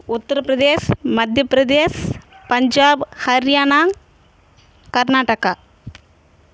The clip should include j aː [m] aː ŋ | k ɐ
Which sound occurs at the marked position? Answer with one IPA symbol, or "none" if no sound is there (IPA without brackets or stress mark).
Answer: n